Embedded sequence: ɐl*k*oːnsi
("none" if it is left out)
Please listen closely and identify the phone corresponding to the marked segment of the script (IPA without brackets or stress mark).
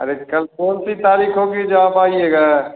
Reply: k